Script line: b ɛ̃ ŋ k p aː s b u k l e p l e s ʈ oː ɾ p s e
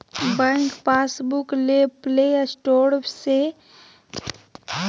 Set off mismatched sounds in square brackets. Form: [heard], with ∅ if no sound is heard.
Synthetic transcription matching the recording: b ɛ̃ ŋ k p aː s b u k l e p l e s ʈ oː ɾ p s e